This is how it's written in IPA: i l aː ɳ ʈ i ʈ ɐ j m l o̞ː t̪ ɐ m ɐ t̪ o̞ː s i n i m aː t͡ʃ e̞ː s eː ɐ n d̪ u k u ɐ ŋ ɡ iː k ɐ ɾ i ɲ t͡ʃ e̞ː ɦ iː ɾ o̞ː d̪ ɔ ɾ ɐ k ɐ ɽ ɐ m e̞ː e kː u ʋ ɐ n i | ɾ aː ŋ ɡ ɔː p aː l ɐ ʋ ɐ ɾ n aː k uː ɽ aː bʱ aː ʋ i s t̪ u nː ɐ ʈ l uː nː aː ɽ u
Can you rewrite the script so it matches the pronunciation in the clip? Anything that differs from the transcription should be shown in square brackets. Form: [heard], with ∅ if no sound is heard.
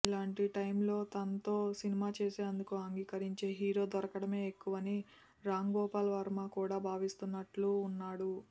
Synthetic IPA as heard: i l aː ɳ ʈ i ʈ ɐ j m l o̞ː t̪ ɐ [n] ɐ t̪ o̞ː s i n i m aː t͡ʃ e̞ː s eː ɐ n d̪ u k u ɐ ŋ ɡ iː k ɐ ɾ i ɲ t͡ʃ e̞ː ɦ iː ɾ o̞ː d̪ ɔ ɾ ɐ k ɐ ɽ ɐ m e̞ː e kː u ʋ ɐ n i | ɾ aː ŋ ɡ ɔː p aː l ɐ ʋ ɐ ɾ [m] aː k uː ɽ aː bʱ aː ʋ i s t̪ u nː ɐ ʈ l uː nː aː ɽ u